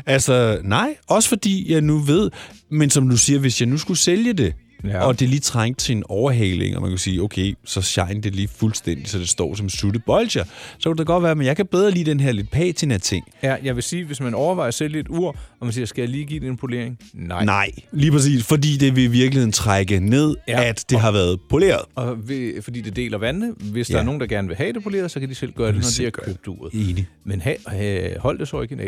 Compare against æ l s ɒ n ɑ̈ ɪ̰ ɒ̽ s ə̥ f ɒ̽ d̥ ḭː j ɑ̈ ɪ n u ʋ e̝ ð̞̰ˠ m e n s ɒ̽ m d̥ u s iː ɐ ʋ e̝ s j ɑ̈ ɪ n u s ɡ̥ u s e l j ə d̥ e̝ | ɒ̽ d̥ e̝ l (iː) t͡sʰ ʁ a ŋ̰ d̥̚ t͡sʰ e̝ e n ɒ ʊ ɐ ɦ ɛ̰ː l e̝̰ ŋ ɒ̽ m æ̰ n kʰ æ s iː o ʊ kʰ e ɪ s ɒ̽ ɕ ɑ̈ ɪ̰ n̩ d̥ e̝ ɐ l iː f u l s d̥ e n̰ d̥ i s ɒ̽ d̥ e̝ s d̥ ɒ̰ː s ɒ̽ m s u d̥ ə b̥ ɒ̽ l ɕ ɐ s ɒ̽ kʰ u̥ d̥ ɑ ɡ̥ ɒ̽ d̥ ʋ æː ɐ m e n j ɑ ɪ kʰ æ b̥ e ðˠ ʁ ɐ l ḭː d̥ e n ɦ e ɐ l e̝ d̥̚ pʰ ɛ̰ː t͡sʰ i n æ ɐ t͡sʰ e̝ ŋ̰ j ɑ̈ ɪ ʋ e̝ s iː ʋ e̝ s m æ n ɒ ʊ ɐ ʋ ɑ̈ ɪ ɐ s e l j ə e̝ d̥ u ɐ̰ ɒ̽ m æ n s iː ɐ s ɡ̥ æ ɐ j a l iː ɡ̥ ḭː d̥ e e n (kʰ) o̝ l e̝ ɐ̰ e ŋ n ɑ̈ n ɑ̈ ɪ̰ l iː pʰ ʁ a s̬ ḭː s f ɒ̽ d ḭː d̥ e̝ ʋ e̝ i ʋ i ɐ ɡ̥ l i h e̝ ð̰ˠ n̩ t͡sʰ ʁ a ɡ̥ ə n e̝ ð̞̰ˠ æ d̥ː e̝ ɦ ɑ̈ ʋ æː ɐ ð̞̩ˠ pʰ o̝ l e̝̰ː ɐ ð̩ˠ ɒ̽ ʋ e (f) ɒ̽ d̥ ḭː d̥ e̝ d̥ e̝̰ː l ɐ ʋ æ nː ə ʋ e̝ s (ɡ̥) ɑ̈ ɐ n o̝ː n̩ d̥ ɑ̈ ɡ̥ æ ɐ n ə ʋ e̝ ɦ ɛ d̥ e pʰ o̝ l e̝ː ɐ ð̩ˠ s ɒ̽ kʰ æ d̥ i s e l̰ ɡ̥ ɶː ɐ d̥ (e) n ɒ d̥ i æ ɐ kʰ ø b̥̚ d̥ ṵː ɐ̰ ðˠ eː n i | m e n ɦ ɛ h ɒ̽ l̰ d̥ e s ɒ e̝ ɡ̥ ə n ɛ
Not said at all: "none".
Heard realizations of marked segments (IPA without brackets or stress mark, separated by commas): iː, pʰ, f, d̥, e